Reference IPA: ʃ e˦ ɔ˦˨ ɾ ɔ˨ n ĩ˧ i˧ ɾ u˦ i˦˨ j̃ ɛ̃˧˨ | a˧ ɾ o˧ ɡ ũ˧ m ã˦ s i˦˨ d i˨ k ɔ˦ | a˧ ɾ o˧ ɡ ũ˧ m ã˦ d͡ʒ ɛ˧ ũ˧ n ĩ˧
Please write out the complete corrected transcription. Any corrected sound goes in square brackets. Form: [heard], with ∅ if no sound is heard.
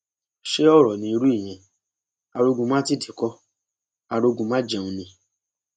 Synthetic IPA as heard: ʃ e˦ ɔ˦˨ ɾ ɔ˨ n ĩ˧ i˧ ɾ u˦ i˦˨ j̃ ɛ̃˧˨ | a˧ ɾ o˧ ɡ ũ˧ m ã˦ [t] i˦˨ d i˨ k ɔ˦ | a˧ ɾ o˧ ɡ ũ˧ m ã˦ d͡ʒ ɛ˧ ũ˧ n ĩ˧